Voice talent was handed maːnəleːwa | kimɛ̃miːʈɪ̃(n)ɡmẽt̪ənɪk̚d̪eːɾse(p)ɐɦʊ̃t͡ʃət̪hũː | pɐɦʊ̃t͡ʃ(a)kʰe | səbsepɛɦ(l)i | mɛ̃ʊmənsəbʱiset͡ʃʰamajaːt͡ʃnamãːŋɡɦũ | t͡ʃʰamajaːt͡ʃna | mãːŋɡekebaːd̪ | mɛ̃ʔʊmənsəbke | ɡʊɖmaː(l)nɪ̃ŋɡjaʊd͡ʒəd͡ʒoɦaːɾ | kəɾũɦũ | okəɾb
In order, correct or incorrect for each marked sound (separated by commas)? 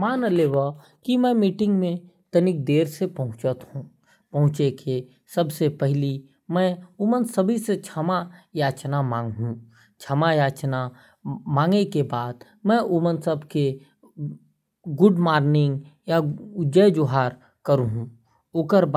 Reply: incorrect, correct, incorrect, correct, incorrect